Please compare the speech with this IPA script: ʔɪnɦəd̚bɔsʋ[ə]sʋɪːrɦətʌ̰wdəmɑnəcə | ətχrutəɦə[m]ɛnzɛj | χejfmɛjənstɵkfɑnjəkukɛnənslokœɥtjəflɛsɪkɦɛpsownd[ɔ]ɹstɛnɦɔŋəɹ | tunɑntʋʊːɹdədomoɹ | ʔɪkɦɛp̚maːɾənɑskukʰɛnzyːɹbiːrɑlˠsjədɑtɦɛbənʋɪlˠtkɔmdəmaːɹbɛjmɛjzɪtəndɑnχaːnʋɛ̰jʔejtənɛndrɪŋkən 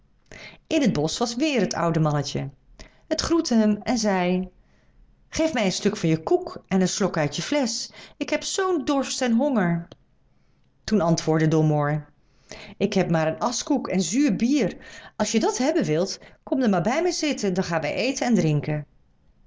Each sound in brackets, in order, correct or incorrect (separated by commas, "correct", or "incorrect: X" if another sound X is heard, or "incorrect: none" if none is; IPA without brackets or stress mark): incorrect: ɑ, correct, correct